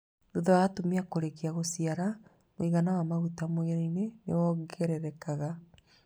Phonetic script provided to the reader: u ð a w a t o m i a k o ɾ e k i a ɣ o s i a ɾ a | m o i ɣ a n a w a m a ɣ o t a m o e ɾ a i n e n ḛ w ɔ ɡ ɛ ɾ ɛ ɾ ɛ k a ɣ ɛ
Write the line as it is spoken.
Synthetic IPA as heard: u ð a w a t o m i a k o ɾ e k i a ɣ o s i a ɾ a | m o i ɣ a n a w a m a ɣ u t a m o e ɾ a i n e n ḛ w ɔ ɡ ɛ ɾ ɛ ɾ ɛ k a ɣ a